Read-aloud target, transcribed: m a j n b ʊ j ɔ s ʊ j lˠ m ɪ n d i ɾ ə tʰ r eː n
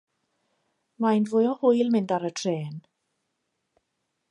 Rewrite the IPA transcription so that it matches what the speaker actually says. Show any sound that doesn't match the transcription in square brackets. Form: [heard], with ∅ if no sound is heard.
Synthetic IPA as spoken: m a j n [v] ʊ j ɔ [h] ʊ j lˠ m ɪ n d [a] ɾ ə tʰ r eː n